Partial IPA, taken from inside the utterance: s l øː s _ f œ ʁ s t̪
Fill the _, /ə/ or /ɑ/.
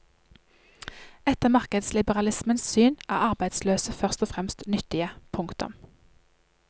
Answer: ə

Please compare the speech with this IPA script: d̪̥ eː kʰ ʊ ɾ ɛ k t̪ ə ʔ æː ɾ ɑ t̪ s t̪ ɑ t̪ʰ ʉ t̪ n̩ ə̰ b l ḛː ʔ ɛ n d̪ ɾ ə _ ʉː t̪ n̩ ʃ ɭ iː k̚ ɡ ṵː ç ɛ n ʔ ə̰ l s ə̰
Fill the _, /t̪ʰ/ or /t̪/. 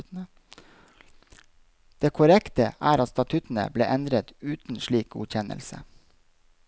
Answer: t̪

